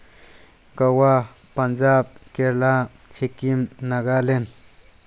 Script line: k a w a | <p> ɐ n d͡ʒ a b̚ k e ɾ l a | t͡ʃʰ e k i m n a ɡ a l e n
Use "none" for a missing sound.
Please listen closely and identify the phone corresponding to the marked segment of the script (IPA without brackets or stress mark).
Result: p